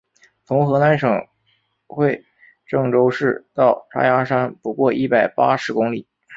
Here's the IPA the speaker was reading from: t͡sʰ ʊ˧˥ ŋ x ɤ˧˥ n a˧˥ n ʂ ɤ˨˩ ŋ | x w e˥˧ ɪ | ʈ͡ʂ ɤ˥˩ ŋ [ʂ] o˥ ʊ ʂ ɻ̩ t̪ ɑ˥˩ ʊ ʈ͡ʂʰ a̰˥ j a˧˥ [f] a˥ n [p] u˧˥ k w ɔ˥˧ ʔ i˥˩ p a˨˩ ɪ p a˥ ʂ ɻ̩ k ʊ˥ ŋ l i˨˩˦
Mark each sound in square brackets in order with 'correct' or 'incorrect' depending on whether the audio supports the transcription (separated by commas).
incorrect, incorrect, correct